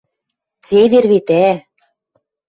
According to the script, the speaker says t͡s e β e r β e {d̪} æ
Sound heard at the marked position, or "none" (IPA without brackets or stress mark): t̪